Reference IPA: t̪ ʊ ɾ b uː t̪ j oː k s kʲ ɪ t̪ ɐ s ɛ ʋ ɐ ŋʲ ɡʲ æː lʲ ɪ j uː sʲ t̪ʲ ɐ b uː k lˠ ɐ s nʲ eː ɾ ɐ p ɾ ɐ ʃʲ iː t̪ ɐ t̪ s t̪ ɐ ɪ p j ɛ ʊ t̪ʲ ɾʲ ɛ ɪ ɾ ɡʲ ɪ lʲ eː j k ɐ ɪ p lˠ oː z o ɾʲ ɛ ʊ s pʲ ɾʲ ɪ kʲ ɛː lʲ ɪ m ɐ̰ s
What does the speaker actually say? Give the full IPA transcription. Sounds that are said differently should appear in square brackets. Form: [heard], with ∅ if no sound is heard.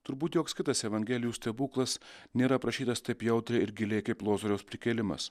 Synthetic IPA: t̪ ʊ ɾ b uː t̪ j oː k s kʲ ɪ t̪ ɐ s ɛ ʋ ɐ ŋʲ ɡʲ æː lʲ ɪ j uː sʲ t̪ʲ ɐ b uː k lˠ ɐ s nʲ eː ɾ ɐ p ɾ ɐ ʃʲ iː t̪ ɐ [∅] s t̪ ɐ ɪ p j ɛ ʊ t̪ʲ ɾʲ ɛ ɪ ɾ ɡʲ ɪ lʲ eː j k ɐ ɪ p lˠ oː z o ɾʲ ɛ ʊ s pʲ ɾʲ ɪ kʲ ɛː lʲ ɪ m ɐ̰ s

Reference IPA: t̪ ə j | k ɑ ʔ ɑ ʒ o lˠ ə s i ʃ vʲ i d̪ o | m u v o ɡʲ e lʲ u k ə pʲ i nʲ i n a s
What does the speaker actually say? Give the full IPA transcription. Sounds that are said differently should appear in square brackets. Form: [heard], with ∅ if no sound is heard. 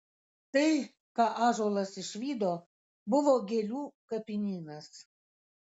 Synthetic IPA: t̪ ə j | k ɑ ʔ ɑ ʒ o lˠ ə s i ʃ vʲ i d̪ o | [b] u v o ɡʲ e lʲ u k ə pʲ i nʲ i n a s

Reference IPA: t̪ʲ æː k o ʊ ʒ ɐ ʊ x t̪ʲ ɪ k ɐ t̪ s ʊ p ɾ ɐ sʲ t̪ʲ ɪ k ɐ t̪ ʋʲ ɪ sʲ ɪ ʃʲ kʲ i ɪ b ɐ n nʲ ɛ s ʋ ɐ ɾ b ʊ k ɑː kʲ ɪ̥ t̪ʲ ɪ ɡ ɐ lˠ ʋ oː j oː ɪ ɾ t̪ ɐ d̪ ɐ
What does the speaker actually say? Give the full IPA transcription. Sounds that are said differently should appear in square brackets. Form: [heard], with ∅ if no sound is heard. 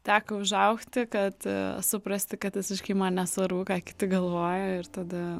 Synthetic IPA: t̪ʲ æː k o ʊ ʒ ɐ ʊ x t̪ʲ ɪ k ɐ t̪ s ʊ p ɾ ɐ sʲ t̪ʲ ɪ k ɐ t̪ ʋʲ ɪ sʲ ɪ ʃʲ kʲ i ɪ [m] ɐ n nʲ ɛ s ʋ ɐ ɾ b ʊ k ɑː kʲ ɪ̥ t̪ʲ ɪ ɡ ɐ lˠ ʋ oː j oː ɪ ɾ t̪ ɐ d̪ ɐ

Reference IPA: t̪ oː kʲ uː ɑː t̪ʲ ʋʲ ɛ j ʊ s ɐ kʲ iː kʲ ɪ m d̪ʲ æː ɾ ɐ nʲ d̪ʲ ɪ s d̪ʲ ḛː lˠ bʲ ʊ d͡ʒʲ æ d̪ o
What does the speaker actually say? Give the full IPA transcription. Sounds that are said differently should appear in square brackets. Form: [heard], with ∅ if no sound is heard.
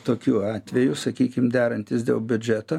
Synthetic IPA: t̪ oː kʲ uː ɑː t̪ʲ ʋʲ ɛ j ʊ s ɐ kʲ iː kʲ ɪ m d̪ʲ æː ɾ ɐ nʲ [t̪ʲ] ɪ s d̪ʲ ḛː lˠ bʲ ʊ d͡ʒʲ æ [t̪] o

